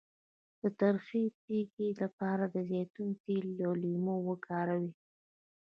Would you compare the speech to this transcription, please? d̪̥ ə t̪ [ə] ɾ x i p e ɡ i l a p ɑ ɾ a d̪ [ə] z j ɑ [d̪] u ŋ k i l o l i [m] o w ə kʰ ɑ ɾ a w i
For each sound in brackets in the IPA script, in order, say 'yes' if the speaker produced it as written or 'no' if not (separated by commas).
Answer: no, yes, no, yes